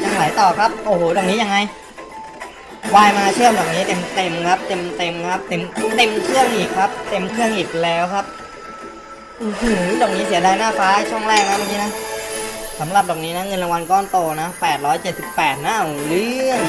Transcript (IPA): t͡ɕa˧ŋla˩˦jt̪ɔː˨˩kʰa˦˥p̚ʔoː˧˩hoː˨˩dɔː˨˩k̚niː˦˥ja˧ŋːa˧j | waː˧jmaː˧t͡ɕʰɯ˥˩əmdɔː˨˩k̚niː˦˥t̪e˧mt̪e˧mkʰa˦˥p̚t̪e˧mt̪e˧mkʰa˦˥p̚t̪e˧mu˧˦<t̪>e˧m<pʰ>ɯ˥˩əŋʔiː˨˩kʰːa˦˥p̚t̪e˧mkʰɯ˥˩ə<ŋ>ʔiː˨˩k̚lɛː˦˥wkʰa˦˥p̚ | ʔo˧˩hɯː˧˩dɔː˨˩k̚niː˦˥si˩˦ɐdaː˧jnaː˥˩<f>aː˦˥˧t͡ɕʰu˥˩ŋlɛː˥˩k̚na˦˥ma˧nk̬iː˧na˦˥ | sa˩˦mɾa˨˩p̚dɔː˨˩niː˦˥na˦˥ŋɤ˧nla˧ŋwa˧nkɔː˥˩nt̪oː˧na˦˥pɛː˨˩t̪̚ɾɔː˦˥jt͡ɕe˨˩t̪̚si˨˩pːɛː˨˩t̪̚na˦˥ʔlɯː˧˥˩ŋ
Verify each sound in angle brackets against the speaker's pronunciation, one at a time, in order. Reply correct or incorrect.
correct, incorrect: kʰ, correct, correct

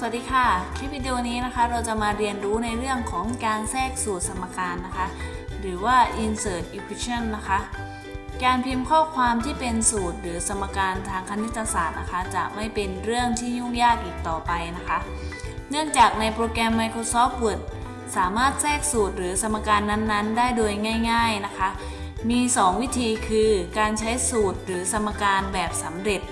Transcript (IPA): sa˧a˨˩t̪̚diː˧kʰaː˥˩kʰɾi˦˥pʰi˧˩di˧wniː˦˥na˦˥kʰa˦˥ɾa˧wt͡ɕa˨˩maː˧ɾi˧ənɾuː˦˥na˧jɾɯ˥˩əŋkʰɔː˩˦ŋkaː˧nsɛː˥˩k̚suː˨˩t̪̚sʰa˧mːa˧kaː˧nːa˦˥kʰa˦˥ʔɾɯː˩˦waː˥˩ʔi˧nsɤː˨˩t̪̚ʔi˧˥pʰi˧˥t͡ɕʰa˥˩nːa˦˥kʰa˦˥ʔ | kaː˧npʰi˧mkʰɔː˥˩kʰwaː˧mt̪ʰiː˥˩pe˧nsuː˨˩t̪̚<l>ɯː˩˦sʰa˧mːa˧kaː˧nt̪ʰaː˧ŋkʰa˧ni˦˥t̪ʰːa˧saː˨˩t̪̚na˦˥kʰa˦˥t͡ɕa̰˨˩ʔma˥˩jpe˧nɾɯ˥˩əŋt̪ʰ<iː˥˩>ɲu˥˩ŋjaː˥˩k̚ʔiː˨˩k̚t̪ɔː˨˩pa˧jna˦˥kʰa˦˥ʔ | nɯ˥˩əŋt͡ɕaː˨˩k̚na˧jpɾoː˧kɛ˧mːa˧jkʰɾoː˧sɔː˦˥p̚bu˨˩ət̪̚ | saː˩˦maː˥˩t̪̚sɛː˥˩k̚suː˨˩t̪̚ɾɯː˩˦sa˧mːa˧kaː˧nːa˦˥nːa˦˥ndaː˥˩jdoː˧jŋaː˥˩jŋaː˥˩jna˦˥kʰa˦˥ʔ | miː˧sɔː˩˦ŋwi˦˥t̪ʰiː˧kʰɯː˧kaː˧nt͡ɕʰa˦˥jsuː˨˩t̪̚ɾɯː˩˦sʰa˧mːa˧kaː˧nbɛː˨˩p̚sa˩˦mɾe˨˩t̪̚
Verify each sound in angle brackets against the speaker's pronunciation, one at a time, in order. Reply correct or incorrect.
incorrect: ɾ, correct

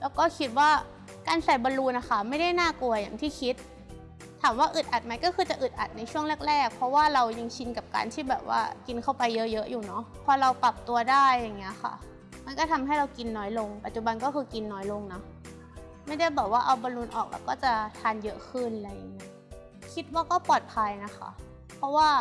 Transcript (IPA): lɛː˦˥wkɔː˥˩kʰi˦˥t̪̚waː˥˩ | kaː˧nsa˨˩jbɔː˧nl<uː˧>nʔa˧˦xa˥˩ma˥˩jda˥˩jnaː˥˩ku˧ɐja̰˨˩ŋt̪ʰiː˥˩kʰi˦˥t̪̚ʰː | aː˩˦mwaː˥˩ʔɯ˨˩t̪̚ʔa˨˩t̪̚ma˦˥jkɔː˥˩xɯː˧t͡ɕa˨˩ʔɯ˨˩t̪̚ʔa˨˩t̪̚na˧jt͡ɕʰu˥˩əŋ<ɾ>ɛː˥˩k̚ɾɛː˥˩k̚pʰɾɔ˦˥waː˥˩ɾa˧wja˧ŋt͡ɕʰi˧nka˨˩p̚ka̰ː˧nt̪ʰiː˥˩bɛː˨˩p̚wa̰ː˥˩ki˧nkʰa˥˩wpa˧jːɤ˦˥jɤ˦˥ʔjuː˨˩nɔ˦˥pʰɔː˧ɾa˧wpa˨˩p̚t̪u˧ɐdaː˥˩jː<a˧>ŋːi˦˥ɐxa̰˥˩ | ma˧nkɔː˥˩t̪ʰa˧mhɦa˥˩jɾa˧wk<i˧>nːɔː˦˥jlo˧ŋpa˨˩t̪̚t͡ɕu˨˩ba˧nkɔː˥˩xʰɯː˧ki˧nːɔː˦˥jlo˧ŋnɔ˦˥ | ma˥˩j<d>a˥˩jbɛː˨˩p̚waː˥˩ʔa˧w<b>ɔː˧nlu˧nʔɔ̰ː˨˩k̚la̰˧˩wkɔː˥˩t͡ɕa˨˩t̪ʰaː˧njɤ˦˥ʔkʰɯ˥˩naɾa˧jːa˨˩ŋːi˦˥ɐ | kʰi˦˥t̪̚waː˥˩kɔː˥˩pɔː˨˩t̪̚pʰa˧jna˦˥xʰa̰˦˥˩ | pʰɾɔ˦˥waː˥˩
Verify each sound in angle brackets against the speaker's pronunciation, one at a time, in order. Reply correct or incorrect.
correct, incorrect: l, incorrect: a˨˩, correct, correct, correct

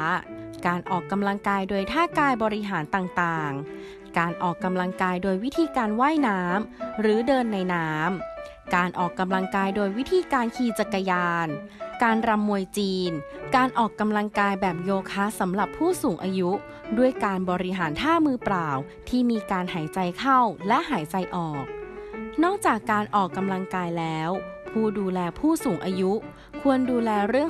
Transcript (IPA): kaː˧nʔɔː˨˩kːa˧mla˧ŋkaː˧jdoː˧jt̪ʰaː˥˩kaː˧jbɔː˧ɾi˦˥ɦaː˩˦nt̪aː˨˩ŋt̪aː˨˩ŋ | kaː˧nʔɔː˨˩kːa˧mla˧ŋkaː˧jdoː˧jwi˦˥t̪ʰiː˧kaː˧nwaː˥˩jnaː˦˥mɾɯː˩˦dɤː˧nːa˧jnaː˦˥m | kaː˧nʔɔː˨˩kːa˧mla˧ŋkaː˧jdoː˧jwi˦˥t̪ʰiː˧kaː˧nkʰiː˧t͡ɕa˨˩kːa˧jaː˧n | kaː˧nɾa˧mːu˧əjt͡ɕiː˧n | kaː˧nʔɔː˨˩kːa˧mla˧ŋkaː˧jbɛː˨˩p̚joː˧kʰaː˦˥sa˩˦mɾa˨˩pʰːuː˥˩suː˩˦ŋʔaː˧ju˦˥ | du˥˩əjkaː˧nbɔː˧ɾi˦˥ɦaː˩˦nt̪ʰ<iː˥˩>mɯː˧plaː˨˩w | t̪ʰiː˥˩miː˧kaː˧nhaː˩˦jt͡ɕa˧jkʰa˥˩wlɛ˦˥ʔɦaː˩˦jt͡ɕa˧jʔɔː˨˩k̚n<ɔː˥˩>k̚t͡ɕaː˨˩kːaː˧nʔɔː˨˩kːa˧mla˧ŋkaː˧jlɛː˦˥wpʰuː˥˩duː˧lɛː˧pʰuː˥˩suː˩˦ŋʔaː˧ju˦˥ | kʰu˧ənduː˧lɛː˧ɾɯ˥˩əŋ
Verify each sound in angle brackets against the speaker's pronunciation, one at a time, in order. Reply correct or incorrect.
incorrect: aː˥˩, correct

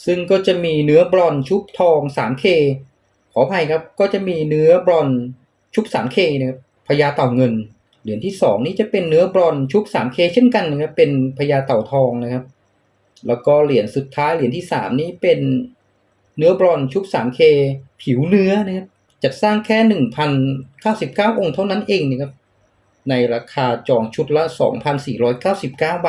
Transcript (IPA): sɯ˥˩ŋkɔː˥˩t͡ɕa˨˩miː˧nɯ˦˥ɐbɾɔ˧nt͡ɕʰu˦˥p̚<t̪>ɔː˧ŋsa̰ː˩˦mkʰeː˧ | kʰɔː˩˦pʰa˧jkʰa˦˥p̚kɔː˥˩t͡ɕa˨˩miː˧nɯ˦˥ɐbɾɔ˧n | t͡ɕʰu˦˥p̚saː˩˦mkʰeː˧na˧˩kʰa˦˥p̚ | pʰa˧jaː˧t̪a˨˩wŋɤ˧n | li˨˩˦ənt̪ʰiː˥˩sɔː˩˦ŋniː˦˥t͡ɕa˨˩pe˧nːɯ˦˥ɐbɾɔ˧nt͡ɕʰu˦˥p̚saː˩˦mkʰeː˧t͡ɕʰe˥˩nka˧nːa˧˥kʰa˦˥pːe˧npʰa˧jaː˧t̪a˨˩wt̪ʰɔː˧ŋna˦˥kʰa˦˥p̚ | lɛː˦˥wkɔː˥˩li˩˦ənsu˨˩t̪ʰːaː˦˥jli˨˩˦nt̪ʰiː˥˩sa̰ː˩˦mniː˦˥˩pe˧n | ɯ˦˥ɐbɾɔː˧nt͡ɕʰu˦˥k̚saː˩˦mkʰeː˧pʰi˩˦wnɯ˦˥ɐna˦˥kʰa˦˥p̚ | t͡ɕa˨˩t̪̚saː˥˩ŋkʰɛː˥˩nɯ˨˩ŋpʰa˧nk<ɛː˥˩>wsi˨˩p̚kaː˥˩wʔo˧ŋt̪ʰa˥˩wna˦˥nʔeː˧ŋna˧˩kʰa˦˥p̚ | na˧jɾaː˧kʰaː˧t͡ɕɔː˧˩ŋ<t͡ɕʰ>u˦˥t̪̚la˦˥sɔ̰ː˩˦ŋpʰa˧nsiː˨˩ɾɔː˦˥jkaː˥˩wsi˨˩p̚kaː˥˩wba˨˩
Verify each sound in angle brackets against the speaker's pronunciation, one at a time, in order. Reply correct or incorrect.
incorrect: t̪ʰ, incorrect: aː˥˩, correct

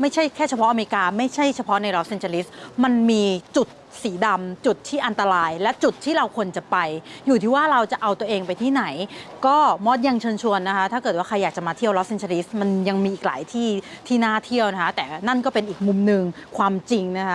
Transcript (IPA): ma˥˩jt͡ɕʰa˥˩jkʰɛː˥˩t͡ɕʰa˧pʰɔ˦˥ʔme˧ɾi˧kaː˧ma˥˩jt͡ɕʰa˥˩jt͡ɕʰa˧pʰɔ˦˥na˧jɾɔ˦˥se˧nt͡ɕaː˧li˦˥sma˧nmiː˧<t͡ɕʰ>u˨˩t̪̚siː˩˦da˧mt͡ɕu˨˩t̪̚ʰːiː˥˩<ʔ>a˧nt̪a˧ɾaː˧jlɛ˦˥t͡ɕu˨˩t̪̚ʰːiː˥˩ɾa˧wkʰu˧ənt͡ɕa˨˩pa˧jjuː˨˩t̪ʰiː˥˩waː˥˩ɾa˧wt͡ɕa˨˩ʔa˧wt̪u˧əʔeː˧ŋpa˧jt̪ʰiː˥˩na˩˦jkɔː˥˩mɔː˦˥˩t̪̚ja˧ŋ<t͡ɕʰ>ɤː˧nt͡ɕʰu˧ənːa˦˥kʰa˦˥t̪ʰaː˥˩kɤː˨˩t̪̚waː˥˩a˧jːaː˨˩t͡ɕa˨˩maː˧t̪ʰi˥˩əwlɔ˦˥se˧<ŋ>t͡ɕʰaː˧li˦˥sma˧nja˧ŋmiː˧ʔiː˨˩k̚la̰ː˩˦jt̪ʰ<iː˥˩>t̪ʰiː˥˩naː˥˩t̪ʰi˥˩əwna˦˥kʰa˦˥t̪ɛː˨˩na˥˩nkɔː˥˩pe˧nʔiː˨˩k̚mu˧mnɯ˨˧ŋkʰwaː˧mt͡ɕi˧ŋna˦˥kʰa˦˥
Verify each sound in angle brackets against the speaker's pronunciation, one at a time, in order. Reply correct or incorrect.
incorrect: t͡ɕ, correct, correct, incorrect: n, correct

